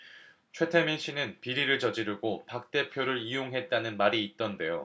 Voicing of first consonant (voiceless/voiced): voiceless